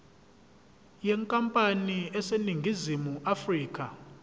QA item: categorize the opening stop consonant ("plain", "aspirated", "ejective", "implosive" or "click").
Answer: ejective